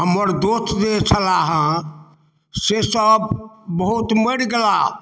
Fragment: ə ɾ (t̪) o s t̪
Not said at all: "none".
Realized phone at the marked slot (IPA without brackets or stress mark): d̪